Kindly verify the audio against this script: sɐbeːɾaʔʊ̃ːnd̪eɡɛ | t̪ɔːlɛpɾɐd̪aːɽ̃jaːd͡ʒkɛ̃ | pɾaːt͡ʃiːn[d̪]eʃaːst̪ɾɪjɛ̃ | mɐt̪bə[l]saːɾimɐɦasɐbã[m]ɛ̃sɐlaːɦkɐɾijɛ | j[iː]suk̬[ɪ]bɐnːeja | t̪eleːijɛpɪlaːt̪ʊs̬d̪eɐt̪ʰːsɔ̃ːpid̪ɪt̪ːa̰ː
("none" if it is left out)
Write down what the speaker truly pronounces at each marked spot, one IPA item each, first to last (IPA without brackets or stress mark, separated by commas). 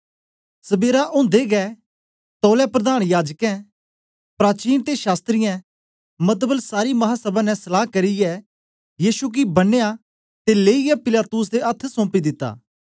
t̪, l, n, iː, i